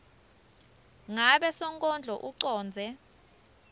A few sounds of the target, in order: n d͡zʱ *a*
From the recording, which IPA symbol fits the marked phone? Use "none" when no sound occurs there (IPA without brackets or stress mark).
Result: ɛ